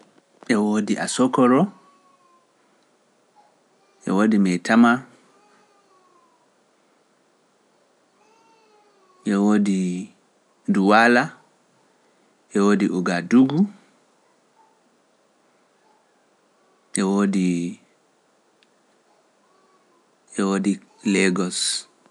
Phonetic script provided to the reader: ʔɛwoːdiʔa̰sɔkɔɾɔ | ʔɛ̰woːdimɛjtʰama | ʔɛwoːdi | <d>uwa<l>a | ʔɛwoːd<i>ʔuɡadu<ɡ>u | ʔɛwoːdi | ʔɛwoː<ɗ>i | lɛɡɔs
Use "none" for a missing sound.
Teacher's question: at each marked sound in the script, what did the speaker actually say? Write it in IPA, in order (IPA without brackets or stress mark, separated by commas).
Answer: d, l, i, ɡ, d